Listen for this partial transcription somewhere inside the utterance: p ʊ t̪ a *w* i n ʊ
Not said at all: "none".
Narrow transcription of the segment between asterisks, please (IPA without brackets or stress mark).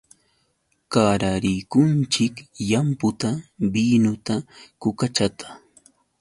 b